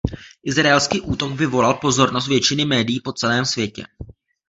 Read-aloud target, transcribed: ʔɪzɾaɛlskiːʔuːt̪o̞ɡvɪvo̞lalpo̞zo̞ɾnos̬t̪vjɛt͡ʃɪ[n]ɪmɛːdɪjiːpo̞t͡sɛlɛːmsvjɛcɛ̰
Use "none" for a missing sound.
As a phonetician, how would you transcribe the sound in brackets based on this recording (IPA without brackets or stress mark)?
n